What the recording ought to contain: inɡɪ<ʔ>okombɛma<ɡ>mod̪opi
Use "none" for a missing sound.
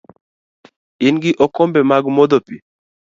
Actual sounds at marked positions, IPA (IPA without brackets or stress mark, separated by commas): ʔ, ɡ